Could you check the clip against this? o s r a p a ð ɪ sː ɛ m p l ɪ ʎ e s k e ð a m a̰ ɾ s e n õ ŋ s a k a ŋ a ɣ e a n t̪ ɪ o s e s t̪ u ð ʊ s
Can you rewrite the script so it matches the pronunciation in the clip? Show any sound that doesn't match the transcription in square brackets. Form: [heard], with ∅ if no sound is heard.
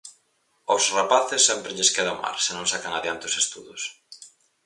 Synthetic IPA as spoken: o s r a p a [θ] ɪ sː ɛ m p [ɾ] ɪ ʎ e s k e ð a m a̰ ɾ s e n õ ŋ s a k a ŋ a [ð] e a n t̪ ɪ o s e s t̪ u ð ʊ s